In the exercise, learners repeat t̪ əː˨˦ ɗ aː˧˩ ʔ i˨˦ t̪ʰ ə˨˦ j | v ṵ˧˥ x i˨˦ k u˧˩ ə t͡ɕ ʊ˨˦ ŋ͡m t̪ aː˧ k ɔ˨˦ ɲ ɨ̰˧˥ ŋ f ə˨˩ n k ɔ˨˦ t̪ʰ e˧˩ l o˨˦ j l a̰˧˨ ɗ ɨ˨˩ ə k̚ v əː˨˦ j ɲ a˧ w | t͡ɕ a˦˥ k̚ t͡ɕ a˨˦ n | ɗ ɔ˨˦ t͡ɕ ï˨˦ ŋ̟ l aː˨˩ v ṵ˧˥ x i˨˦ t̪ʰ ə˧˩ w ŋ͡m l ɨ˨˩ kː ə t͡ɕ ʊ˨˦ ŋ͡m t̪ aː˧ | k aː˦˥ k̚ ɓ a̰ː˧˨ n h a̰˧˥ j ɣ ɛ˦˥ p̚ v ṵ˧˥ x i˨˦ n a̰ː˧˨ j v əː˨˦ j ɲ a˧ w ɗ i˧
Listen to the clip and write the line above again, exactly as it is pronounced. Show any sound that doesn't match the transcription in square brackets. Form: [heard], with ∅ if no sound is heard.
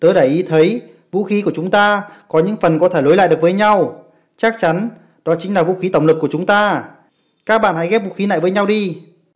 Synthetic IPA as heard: t̪ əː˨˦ ɗ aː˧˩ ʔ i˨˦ t̪ʰ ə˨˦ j | v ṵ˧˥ x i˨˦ k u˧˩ ə t͡ɕ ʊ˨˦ ŋ͡m t̪ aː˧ k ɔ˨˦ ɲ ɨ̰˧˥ ŋ f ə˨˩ n k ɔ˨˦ t̪ʰ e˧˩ l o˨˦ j l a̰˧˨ ɗ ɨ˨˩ ə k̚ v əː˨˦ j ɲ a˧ w | t͡ɕ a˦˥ k̚ t͡ɕ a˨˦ n | ɗ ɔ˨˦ t͡ɕ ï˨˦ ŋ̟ l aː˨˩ v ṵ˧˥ x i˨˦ [t̪] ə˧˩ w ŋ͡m l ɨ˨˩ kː ə t͡ɕ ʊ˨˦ ŋ͡m t̪ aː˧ | k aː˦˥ k̚ ɓ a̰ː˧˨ n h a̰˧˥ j ɣ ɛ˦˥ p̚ v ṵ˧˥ x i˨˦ n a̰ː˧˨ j v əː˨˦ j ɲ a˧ w ɗ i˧